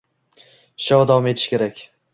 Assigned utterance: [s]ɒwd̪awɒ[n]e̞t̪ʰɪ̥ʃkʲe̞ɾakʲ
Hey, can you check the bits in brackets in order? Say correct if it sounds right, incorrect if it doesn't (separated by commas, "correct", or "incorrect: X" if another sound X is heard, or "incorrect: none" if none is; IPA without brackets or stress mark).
incorrect: ʃ, incorrect: m